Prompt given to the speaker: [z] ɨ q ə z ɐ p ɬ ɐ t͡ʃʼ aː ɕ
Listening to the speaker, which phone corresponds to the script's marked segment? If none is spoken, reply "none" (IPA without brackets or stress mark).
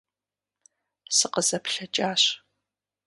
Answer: s